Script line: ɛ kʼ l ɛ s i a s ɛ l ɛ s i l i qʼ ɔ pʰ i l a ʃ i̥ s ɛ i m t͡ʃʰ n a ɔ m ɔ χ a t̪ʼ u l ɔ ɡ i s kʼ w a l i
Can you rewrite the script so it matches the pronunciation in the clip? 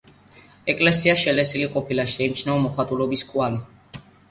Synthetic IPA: ɛ kʼ l ɛ s i a ʃ ɛ l ɛ s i l i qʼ ɔ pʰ i l a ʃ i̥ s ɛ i m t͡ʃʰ n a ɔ m ɔ χ a t̪ʼ u l ɔ b i s kʼ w a l i

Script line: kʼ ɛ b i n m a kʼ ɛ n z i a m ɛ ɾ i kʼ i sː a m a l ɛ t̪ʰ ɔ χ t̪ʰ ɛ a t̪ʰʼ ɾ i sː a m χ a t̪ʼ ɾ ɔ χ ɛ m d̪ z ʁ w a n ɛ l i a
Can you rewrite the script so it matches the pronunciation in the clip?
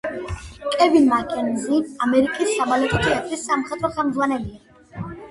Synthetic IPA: kʼ ɛ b i n m a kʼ ɛ n z i a m ɛ ɾ i kʼ i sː a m a l ɛ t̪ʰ ɔ t̪ʰ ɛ a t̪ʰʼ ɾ i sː a m χ ɛ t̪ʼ ɾ ɔ χ ɛ m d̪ z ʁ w a n ɛ l i a

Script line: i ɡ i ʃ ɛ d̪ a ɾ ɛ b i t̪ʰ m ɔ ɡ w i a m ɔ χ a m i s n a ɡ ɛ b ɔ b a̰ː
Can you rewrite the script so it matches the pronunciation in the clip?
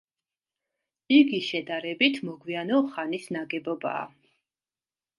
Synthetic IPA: i ɡ i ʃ ɛ d̪ a ɾ ɛ b i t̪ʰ m ɔ ɡ w i a n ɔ χ a n i s n a ɡ ɛ b ɔ b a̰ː

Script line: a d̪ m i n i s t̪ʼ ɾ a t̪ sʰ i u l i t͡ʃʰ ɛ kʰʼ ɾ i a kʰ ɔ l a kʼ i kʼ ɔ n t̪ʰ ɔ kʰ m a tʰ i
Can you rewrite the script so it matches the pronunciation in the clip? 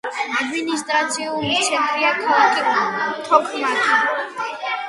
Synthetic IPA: a d̪ m i n i s t̪ʼ ɾ a t̪ sʰ i u l i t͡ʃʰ ɛ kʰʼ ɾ i a kʰ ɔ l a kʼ i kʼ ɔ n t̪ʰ ɔ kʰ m a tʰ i

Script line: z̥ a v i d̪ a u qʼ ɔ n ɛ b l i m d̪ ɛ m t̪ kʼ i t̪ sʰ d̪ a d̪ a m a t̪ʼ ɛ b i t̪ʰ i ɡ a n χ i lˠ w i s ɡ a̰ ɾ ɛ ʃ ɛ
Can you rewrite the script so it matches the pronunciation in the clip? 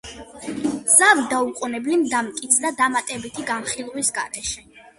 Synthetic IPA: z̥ a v i d̪ a u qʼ u n ɛ b l i m d̪ a m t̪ kʼ i t̪ sʰ d̪ a d̪ a m a t̪ʼ ɛ b i t̪ʰ i ɡ a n χ i lˠ w i s ɡ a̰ ɾ ɛ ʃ ɛ

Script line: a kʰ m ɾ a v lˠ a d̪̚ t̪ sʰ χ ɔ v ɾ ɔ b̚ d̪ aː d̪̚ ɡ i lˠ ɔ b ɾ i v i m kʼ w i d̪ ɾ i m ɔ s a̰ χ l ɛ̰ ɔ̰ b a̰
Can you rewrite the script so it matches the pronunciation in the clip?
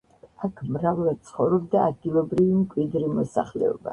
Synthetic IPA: a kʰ m ɾ a v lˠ a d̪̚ t̪ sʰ χ ɔ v ɾ ɔ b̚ d̪ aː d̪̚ ɡ i lˠ ɔ b ɾ i v i m kʼ w i d̪ ɾ i m ɔ s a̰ χ l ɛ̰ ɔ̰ b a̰

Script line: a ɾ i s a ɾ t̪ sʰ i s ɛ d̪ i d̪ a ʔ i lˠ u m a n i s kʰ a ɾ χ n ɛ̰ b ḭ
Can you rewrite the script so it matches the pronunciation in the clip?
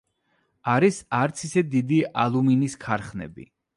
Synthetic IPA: a ɾ i s a ɾ t̪ sʰ i s ɛ d̪ i d̪ i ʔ a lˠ u m i n i s kʰ a ɾ χ n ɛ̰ b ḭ

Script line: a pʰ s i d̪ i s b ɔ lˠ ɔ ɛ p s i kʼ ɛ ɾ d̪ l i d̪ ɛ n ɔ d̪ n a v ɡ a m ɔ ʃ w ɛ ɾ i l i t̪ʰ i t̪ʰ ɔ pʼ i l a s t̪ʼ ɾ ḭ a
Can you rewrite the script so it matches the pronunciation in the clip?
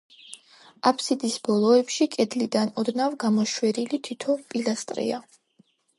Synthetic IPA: a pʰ s i d̪ i s b ɔ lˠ ɔ ɛ p ʃ i kʼ ɛ d̪ l i d̪ a n ɔ d̪ n a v ɡ a m ɔ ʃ w ɛ ɾ i l i t̪ʰ i t̪ʰ ɔ pʼ i l a s t̪ʼ ɾ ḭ a

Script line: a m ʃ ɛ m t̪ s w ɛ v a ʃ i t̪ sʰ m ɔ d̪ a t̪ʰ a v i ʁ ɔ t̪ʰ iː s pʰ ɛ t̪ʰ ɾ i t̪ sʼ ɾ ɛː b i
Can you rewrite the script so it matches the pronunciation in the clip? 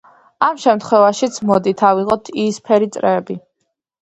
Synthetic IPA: a m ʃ ɛ m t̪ χ w ɛ v a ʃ i t̪ sʰ m ɔ d̪ i t̪ʰ a v i ʁ ɔ t̪ʰ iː s pʰ ɛ ɾ i t̪ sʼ ɾ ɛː b i

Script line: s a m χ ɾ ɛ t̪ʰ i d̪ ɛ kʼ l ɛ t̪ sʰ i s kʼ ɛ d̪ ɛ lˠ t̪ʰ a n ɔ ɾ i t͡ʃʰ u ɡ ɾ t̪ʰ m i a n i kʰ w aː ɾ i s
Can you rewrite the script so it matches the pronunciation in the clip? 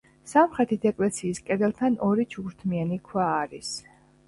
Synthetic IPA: s a m χ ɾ ɛ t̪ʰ i d̪ ɛ kʼ l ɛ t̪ sʰ iː s kʼ ɛ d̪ ɛ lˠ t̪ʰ a n ɔ ɾ i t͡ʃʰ u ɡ ɾ t̪ʰ m i a n i kʰ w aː ɾ i s

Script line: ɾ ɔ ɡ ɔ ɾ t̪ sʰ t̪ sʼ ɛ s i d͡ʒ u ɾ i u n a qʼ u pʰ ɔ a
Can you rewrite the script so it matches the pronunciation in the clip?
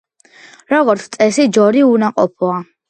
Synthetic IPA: ɾ ɔ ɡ ɔ ɾ t̪ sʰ t̪ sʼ ɛ s i d͡ʒ ɔ ɾ i u n a qʼ ɔ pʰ ɔ a

